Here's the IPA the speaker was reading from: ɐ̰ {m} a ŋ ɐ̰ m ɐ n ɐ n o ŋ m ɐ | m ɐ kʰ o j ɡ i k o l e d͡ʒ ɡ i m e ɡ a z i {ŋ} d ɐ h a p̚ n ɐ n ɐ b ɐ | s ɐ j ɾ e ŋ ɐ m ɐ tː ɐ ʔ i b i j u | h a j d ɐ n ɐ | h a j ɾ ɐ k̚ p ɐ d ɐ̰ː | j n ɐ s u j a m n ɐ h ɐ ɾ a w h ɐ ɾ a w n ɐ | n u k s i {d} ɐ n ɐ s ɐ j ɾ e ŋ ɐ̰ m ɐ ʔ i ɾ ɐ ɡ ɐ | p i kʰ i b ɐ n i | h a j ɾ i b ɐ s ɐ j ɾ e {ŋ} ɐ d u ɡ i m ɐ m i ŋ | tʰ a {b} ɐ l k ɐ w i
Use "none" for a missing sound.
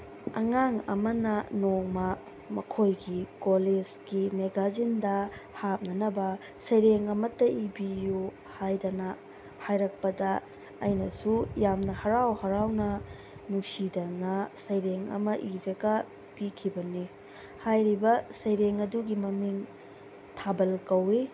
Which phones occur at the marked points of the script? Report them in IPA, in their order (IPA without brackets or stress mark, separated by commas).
ŋ, n, d, ŋ, b